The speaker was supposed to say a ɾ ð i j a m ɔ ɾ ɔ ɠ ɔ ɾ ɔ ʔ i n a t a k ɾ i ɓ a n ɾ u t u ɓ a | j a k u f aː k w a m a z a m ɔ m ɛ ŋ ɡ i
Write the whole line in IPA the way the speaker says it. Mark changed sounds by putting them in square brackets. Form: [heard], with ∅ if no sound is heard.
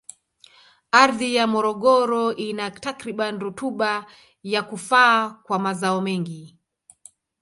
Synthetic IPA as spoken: a ɾ ð i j a m ɔ ɾ ɔ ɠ ɔ ɾ ɔ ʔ i n a t a k ɾ i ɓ a n ɾ u t u ɓ a | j a k u f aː k w a m a z a [∅] ɔ m ɛ ŋ ɡ i